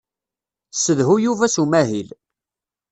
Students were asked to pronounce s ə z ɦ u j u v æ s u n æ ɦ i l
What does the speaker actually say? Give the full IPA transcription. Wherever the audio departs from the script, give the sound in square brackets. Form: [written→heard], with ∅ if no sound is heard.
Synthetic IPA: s ə [z→ð] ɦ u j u v æ s u [n→m] æ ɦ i l